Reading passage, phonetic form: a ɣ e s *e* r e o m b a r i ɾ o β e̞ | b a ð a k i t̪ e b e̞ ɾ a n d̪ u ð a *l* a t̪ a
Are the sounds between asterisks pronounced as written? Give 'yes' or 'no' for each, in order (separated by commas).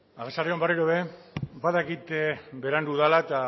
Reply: no, yes